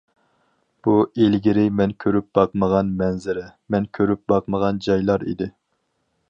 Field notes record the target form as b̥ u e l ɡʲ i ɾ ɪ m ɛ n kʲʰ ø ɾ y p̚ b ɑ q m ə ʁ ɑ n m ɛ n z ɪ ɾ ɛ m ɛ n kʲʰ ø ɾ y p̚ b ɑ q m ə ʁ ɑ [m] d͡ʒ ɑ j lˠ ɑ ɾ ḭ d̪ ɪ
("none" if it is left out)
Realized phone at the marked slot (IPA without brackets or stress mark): n